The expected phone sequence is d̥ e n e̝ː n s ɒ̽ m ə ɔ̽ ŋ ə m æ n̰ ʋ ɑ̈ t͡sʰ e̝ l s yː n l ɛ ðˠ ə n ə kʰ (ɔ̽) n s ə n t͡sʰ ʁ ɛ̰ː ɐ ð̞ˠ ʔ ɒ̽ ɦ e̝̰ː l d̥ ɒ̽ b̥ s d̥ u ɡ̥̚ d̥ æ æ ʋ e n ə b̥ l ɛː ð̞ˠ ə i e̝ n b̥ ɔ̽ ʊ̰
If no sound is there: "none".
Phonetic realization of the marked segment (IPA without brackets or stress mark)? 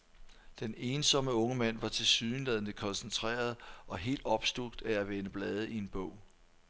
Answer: ɒ̽